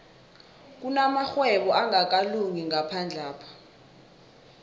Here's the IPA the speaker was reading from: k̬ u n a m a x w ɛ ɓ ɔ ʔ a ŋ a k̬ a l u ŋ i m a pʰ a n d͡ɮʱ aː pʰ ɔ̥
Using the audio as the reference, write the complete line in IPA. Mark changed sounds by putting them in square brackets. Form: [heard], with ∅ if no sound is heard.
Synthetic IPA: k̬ u n a m a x w ɛ ɓ ɔ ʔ a ŋ a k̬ a l u ŋ i [ŋ] a pʰ a n d͡ɮʱ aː pʰ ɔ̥